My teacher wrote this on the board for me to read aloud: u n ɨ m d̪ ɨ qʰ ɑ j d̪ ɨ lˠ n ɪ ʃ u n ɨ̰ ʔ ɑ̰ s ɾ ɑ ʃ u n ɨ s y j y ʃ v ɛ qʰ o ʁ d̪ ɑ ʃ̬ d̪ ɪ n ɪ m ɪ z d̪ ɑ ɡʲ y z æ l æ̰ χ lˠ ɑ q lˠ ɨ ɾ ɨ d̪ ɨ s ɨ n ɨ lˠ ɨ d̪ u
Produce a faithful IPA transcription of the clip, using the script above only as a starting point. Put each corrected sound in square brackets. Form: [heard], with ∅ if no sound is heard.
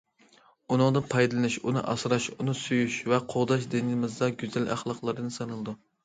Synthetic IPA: u n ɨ [ŋ] d̪ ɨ [pʰ] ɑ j d̪ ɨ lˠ n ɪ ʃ u n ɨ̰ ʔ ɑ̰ s ɾ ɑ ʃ u n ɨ s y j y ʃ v ɛ qʰ o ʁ d̪ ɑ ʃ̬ d̪ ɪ n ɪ m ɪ z d̪ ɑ ɡʲ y z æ l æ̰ χ lˠ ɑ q lˠ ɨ ɾ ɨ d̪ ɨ s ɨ n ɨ lˠ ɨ d̪ u